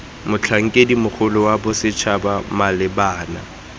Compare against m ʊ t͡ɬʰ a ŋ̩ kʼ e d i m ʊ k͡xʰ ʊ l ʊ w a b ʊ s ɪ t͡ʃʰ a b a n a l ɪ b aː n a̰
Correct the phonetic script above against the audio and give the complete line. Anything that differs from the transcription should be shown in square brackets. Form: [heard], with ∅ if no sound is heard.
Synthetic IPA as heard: m ʊ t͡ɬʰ a ŋ̩ kʼ e d i m ʊ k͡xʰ ʊ l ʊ w a b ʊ s ɪ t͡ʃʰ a b a [m] a l ɪ b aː n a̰